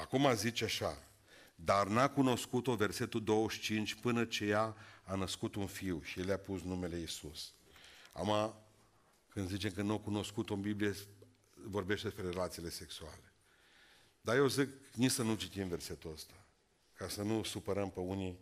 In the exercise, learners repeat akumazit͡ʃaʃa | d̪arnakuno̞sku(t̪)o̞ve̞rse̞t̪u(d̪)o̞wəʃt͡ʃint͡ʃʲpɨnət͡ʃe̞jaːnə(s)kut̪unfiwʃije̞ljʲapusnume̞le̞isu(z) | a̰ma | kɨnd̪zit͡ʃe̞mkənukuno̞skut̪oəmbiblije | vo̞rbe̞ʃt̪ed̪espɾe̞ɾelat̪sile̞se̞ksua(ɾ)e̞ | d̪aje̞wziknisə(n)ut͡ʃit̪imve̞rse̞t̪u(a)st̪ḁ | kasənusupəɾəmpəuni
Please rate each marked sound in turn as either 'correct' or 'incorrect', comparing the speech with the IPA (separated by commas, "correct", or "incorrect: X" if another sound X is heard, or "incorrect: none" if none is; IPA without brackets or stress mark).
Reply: correct, correct, correct, incorrect: s, incorrect: l, correct, incorrect: ə